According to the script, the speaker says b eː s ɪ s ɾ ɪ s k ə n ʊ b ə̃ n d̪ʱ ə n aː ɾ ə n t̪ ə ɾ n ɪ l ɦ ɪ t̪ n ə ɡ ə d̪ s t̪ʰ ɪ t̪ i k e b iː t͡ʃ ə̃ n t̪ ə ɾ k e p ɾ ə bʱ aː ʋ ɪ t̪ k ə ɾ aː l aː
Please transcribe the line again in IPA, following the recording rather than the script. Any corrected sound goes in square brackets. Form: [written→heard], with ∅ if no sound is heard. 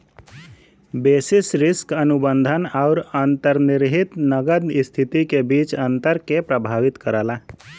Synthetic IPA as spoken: b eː s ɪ s ɾ ɪ s k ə n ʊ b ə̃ n d̪ʱ ə n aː ɾ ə n t̪ ə ɾ n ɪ [l→ɾ] ɦ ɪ t̪ n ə ɡ ə d̪ s t̪ʰ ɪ t̪ i k e b iː t͡ʃ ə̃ n t̪ ə ɾ k e p ɾ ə bʱ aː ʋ ɪ t̪ k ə ɾ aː l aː